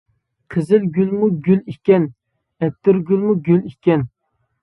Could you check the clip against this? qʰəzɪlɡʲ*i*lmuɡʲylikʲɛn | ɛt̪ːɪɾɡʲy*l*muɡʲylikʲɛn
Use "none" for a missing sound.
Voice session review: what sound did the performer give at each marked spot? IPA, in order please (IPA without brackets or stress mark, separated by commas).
y, l